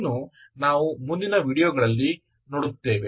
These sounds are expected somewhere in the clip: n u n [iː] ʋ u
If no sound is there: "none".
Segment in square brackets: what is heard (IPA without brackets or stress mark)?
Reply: aː